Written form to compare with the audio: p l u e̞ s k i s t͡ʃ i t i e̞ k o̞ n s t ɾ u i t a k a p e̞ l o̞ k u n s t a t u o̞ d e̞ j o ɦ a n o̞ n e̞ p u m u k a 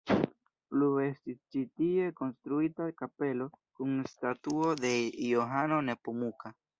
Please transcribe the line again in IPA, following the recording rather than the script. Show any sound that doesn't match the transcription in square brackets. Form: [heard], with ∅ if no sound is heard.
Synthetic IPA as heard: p l u e̞ s [t] i s t͡ʃ i t i e̞ k o̞ n s t ɾ u i t a k a p e̞ l o̞ k u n s t a t u o̞ d e̞ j o ɦ a n o̞ n e̞ p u m u k a